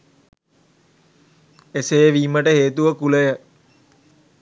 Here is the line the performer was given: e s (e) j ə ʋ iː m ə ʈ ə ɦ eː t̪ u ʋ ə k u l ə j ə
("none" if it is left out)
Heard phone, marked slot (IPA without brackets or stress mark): e